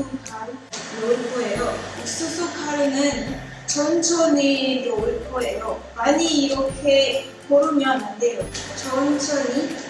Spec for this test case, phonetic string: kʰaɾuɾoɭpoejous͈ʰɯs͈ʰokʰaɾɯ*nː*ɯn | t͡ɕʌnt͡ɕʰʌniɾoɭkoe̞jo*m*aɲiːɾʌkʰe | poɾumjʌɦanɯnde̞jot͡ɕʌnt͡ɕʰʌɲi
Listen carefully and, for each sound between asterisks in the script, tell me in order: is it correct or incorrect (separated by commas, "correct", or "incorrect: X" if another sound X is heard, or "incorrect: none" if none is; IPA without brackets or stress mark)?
incorrect: n, correct